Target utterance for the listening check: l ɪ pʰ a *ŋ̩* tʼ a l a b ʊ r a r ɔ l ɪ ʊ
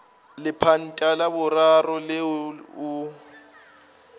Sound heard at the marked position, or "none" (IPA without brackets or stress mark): n̩